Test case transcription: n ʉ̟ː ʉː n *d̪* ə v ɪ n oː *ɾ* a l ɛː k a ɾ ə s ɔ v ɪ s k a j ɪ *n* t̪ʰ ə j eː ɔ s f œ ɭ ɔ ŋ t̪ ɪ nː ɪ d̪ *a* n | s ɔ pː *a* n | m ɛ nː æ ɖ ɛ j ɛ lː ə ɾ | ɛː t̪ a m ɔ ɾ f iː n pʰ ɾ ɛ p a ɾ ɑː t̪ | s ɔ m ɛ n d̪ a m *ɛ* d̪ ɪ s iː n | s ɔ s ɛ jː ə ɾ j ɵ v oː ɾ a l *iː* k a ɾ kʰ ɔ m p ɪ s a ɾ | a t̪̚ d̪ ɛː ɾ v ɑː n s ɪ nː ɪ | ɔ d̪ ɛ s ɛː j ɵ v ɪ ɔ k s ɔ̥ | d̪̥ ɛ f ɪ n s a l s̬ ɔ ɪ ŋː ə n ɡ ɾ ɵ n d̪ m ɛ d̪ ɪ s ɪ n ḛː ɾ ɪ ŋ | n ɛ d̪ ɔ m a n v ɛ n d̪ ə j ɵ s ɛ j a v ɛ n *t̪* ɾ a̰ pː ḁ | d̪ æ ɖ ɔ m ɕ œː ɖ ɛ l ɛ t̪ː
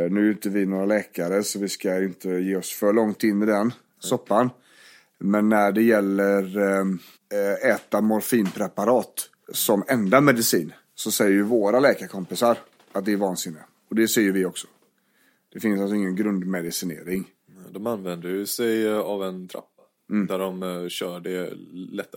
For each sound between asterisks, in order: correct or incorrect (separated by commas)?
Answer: incorrect, correct, correct, incorrect, correct, correct, incorrect, incorrect